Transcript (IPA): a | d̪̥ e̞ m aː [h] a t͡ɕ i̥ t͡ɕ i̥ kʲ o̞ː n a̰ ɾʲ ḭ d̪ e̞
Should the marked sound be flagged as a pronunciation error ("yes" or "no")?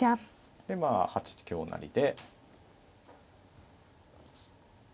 no